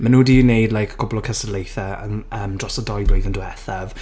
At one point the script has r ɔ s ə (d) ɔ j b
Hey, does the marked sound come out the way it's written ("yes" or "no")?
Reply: yes